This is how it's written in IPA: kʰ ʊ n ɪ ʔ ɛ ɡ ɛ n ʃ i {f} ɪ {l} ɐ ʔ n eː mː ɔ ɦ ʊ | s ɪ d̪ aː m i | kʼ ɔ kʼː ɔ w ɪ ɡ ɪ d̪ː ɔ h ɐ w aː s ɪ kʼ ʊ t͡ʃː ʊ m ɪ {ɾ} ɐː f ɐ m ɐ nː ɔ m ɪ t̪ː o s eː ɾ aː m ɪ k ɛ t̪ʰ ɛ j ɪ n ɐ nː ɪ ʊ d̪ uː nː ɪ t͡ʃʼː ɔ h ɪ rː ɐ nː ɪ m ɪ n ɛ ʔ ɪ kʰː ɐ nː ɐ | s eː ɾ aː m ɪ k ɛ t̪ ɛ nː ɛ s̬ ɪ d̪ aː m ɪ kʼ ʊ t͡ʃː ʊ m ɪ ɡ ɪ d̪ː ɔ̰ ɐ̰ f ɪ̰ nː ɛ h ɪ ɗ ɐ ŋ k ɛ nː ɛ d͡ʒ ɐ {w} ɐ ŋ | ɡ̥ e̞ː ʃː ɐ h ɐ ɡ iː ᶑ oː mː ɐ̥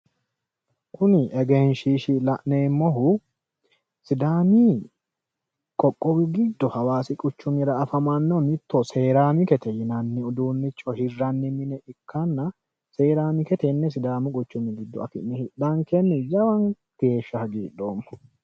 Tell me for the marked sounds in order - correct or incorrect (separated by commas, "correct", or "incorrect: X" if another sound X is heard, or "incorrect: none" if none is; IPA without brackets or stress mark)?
incorrect: ʃ, correct, correct, correct